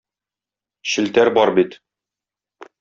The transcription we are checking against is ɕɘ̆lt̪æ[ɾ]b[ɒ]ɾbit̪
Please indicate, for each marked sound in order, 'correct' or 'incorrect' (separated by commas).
correct, correct